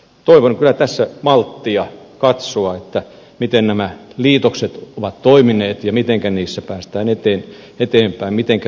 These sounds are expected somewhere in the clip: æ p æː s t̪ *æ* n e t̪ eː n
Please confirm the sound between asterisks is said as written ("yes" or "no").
no